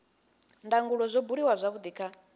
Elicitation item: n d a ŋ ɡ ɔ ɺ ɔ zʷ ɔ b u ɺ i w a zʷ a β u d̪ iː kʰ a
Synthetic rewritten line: n d a ŋ ɡ u ɺ ɔ zʷ ɔ b u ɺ i w a zʷ a β u d̪ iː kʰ a